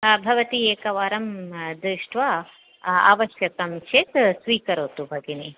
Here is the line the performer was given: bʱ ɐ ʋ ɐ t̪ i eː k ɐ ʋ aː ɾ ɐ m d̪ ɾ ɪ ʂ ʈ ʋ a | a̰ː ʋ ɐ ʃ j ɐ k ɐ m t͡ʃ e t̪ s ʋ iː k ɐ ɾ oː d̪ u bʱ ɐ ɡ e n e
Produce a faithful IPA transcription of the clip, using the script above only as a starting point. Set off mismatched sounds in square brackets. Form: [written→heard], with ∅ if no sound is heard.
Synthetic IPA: bʱ ɐ ʋ ɐ t̪ i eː k ɐ ʋ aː ɾ ɐ m d̪ ɾ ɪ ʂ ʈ ʋ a | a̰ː ʋ ɐ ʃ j ɐ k ɐ m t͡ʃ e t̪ s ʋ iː k ɐ ɾ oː [d̪→t̪] u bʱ ɐ ɡ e n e